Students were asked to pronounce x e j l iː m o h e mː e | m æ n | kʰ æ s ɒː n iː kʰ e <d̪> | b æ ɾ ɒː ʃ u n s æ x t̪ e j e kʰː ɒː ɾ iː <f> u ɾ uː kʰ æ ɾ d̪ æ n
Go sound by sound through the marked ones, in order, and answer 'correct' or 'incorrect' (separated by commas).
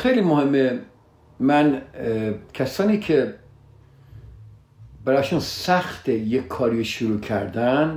incorrect, incorrect